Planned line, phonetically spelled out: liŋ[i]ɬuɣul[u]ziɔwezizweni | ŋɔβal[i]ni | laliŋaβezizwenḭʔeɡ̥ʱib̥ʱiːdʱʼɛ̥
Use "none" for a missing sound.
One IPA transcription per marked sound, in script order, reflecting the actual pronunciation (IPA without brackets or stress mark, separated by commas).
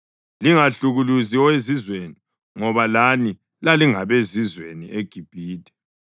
a, u, a